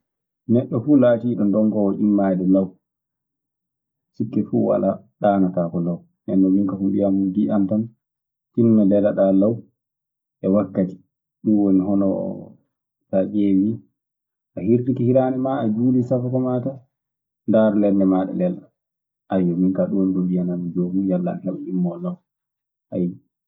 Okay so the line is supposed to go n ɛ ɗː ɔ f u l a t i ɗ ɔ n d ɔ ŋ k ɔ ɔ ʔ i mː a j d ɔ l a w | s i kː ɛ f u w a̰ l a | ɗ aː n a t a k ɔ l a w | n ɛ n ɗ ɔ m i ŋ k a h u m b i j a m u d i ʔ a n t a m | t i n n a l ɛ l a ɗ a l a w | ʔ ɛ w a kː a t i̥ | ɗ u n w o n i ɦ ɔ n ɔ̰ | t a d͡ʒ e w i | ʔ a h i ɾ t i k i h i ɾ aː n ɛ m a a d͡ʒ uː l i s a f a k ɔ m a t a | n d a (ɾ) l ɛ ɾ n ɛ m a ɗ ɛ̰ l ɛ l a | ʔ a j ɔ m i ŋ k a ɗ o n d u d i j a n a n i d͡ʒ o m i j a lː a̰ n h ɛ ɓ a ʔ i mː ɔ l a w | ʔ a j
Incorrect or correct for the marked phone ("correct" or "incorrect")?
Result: correct